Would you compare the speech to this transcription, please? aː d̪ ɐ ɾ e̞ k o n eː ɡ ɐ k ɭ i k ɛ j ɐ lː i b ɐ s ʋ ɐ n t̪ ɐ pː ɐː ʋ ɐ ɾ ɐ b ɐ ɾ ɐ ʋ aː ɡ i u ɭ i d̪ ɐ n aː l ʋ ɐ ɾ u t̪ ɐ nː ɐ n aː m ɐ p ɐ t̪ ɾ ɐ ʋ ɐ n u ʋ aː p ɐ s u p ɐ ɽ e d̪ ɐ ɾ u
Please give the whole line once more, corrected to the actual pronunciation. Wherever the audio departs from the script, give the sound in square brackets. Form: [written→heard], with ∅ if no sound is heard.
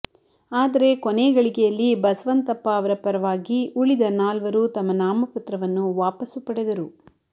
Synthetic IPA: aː d̪ ɐ ɾ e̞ k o n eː ɡ ɐ [k→∅] ɭ i k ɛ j ɐ lː i b ɐ s ʋ ɐ n t̪ ɐ pː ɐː ʋ ɐ ɾ ɐ [b→p] ɐ ɾ ɐ ʋ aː ɡ i u ɭ i d̪ ɐ n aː l ʋ ɐ ɾ u t̪ ɐ [nː→mː] ɐ n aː m ɐ p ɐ t̪ ɾ ɐ ʋ ɐ [n→nː] u ʋ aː p ɐ s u p ɐ ɽ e d̪ ɐ ɾ u